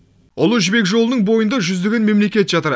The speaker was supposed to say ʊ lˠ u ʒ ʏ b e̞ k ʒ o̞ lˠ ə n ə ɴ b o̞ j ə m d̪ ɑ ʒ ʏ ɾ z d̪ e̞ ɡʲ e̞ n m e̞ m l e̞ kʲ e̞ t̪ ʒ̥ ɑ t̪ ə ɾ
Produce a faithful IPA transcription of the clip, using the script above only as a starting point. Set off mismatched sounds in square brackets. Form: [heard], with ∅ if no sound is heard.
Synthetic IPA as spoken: ʊ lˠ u ʒ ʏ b e̞ k ʒ o̞ lˠ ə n ə ɴ b o̞ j ə [n] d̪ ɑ ʒ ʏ [∅] z d̪ e̞ ɡʲ e̞ n m e̞ m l e̞ kʲ e̞ t̪ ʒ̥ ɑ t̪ ə ɾ